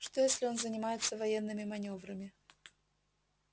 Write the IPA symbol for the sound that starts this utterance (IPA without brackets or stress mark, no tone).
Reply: ʂ